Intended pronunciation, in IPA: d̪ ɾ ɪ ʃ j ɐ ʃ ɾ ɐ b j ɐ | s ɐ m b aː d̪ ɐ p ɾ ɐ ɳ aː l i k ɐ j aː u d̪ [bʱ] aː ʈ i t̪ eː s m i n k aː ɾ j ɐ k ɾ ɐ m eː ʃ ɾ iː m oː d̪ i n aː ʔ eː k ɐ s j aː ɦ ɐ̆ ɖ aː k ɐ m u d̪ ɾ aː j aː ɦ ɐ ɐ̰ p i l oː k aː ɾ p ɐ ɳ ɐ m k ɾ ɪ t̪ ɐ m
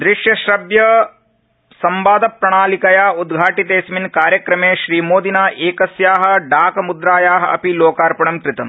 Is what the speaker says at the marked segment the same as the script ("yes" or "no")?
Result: no